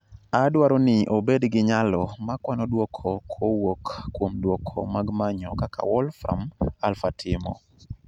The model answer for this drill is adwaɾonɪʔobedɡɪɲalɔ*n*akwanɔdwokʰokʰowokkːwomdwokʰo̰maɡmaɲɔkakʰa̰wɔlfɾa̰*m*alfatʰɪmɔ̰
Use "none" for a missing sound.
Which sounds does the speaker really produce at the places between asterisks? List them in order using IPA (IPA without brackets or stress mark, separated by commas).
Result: m, m